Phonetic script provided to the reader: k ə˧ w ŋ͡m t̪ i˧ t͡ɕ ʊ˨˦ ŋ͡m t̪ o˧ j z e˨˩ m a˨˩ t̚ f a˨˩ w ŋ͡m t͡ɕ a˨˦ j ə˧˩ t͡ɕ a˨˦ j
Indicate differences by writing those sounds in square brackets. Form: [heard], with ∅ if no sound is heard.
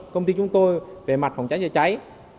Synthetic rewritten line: k ə˧ w ŋ͡m t̪ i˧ t͡ɕ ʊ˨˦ ŋ͡m t̪ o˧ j [v] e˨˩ m a˨˩ t̚ f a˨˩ w ŋ͡m t͡ɕ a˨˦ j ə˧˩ t͡ɕ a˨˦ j